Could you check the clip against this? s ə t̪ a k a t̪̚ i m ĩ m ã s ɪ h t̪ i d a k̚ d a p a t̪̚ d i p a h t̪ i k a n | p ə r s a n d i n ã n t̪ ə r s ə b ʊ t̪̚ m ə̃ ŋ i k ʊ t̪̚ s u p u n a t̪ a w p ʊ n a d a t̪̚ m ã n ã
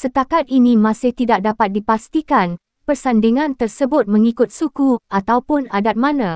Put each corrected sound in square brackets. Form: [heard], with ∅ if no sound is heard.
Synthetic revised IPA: s ə t̪ a k a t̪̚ i [n] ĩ m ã s ɪ h t̪ i d a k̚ d a p a t̪̚ d i p a [s] t̪ i k a n | p ə r s a n d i [ŋ] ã n t̪ ə r s ə b ʊ t̪̚ m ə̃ ŋ i k ʊ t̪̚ s u [k] u [∅] a t̪ a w p ʊ n a d a t̪̚ m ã n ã

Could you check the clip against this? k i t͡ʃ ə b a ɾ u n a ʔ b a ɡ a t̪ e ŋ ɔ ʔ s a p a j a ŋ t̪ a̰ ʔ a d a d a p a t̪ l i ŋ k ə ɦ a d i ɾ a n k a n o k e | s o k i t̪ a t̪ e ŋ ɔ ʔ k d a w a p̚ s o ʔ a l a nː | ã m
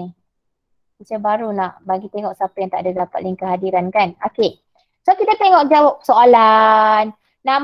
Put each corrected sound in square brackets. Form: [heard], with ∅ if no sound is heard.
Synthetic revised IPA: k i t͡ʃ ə b a ɾ u n a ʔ b a ɡ [i] t̪ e ŋ ɔ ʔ s a p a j a ŋ t̪ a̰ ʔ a d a d a p a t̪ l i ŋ k ə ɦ a d i ɾ a n k a n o k e | s o k i t̪ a t̪ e ŋ ɔ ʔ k [d͡ʒ] a w a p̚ s o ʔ a l a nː | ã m

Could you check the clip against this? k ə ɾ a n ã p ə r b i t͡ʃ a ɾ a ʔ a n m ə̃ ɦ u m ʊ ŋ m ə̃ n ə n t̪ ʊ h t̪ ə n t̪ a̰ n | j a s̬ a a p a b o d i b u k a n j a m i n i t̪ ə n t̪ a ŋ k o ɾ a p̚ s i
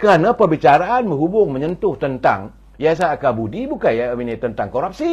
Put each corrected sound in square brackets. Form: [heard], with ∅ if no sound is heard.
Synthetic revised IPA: k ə ɾ a n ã p ə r b i t͡ʃ a ɾ a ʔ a n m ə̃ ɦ u [b] ʊ ŋ m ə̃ [ɲ] ə n t̪ ʊ h t̪ ə n t̪ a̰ [ŋ] | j a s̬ a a [k] a b [u] d i b u k a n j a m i n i t̪ ə n t̪ a ŋ k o ɾ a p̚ s i

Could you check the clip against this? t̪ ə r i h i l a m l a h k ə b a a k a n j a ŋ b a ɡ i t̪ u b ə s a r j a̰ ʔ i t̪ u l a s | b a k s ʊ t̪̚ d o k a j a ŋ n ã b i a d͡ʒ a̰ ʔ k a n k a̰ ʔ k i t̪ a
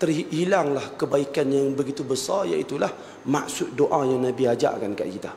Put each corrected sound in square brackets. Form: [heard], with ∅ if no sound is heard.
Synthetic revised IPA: t̪ ə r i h i l a [ŋ] l a h k ə b a [i] k a n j a ŋ b [ə] ɡ i t̪ u b ə s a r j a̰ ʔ i t̪ u l a [h] | [m] a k s ʊ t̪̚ d o [ʔ] a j a ŋ n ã b i a d͡ʒ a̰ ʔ k a n k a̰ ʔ k i t̪ a

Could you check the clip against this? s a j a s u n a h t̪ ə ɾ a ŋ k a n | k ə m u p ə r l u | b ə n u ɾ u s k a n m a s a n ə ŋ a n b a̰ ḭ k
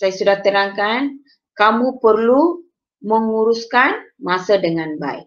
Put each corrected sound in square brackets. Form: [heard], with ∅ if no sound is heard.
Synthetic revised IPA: s a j a s u [d] a h t̪ ə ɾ a ŋ k a n | k [a] m u p ə r l u | [m] ə [ŋ] u ɾ u s k a n m a s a [d] ə ŋ a n b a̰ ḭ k

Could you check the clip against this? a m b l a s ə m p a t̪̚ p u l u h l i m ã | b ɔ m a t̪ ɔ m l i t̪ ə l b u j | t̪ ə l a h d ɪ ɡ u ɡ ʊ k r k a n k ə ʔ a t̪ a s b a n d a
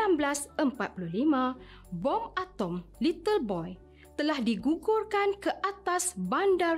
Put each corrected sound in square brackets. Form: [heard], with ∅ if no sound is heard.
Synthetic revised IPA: a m b l a s ə m p a t̪̚ p u l u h l i m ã | b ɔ m a t̪ ɔ m l i t̪ ə l b [ɔ] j | t̪ ə l a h d [i] ɡ u ɡ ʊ [∅] r k a n k ə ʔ a t̪ a s b a n d a

